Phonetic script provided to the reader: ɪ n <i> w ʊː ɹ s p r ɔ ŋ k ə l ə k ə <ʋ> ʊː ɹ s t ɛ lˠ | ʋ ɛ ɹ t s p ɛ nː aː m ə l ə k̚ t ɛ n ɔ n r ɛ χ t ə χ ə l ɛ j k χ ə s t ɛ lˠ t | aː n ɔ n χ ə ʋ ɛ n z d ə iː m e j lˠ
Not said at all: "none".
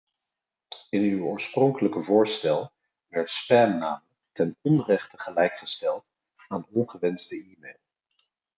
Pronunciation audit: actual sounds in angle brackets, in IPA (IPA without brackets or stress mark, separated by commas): y, v